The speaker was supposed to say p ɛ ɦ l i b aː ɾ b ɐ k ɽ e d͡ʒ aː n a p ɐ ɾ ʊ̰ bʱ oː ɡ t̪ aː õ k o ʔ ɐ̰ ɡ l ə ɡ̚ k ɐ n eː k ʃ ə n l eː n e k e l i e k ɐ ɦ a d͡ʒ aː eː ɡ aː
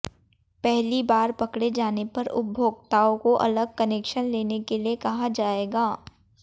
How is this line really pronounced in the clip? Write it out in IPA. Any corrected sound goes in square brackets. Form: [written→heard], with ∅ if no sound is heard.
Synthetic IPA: p ɛ ɦ l i b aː ɾ [b→p] ɐ k ɽ e d͡ʒ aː n [a→e] p ɐ ɾ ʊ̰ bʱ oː ɡ t̪ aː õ k o ʔ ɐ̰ [ɡ→∅] l ə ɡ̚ k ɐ n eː k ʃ ə n l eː n e k e l i e k ɐ ɦ a d͡ʒ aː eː ɡ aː